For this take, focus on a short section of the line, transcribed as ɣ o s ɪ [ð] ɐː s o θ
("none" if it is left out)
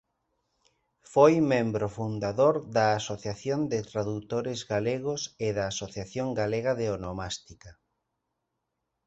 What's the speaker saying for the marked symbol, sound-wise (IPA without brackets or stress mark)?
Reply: ð